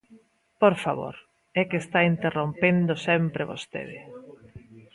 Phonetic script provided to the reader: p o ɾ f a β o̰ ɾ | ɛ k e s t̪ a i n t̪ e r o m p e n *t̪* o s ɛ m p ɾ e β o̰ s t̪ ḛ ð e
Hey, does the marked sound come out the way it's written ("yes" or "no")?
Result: no